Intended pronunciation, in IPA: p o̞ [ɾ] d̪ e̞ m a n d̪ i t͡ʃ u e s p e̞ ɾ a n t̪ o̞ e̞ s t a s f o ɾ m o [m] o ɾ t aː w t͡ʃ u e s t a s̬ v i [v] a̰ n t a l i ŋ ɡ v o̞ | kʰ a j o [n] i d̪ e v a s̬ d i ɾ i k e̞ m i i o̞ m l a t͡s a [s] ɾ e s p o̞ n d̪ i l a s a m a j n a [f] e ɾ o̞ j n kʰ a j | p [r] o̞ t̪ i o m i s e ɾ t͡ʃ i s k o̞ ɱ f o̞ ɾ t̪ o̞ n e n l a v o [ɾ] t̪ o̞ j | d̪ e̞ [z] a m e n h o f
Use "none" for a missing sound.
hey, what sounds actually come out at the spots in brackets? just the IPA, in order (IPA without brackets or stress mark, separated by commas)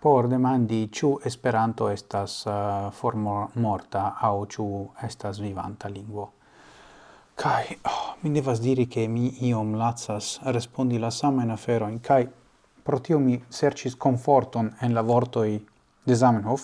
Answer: ɾ, m, v, m, s, f, ɾ, ɾ, z